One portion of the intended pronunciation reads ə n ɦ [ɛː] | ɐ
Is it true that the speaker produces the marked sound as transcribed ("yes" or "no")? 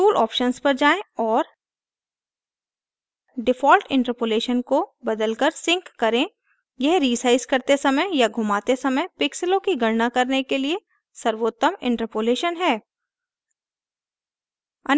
yes